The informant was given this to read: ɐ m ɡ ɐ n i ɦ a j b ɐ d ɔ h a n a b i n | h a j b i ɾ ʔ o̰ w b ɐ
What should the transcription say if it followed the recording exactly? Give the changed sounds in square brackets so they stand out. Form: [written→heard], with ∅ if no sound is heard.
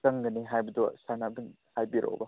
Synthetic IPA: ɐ [m→ŋ] ɡ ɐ n i ɦ a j b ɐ d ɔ [h→s] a n a b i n | h a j b i ɾ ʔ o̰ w b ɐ